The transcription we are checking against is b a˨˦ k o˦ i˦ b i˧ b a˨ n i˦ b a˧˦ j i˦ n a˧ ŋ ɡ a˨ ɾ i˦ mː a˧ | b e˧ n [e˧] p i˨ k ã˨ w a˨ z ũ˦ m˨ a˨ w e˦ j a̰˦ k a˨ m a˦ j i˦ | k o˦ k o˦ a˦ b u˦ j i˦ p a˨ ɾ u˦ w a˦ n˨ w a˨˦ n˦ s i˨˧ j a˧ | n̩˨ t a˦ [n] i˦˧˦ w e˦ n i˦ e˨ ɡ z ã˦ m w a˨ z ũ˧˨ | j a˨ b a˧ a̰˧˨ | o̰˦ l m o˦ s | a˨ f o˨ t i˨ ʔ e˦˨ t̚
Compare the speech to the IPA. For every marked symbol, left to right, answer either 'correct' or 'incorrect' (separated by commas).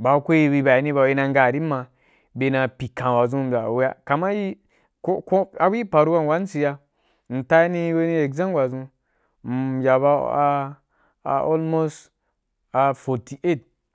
incorrect, correct